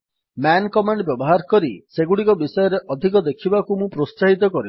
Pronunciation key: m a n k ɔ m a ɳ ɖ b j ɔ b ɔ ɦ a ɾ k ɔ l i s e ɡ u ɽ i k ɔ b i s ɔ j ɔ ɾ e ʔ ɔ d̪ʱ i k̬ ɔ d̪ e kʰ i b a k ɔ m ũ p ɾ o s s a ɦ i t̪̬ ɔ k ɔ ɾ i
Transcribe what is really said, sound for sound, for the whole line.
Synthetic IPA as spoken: m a n k ɔ m a ɳ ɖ b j ɔ b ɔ ɦ a ɾ k ɔ ɾ i s e ɡ u ɽ i k ɔ b i s ɔ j ɔ ɾ e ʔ ɔ d̪ʱ i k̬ ɔ d̪ e kʰ i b a k u m ũ p ɾ o s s a ɦ i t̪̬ ɔ k ɔ ɾ i